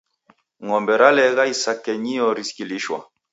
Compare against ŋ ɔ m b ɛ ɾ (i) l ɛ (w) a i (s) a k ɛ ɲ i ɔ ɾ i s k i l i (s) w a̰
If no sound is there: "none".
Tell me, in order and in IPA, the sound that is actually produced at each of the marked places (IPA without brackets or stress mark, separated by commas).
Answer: a, ɣ, s, ʃ